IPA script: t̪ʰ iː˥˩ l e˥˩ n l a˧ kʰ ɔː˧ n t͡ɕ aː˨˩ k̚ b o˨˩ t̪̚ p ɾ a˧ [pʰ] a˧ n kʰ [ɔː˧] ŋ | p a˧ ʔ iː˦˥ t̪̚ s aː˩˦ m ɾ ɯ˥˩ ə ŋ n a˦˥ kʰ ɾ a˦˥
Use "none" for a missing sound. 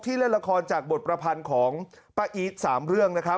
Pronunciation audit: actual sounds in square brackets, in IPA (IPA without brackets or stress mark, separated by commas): pʰ, ɔː˩˦